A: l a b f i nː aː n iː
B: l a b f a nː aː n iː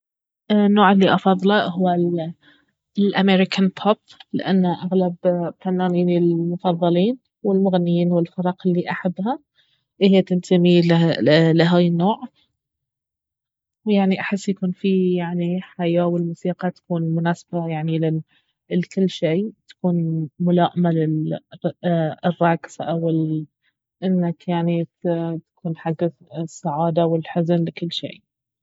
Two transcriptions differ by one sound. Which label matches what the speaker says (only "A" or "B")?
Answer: B